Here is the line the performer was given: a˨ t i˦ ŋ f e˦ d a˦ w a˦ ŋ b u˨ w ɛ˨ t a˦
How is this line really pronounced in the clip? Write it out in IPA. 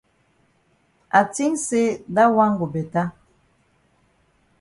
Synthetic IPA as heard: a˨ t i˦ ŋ s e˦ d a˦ w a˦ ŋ ɡ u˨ b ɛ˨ t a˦